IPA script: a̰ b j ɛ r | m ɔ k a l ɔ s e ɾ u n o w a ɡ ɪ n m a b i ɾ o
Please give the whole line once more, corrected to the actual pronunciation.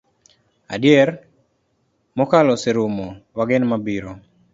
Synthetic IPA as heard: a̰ d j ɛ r | m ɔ k a l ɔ s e ɾ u m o w a ɡ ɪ n m a b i ɾ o